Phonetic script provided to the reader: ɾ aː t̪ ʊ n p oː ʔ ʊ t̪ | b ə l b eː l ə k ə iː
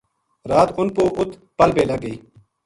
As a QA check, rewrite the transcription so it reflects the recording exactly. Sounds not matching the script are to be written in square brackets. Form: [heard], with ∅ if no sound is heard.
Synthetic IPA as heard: ɾ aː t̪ ʊ n p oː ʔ ʊ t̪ | [p] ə l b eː l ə [ɡ] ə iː